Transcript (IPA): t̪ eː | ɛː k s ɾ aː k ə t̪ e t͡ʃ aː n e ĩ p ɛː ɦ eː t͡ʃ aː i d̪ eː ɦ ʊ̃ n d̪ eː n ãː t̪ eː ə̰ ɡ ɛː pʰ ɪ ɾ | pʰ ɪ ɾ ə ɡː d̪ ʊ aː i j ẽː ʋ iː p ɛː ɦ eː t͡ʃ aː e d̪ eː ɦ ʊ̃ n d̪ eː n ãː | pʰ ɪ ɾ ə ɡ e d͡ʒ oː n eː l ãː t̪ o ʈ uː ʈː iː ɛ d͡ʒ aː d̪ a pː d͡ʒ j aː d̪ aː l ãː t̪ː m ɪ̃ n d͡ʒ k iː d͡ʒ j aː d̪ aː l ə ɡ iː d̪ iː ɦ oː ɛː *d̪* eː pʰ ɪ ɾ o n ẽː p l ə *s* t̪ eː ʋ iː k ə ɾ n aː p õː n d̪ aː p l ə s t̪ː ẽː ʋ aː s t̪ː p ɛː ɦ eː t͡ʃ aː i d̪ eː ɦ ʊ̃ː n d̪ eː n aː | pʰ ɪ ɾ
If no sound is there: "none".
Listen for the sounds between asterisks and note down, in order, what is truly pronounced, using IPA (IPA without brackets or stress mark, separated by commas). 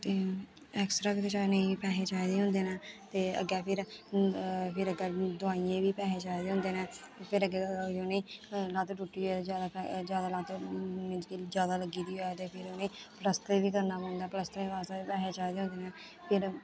t̪, s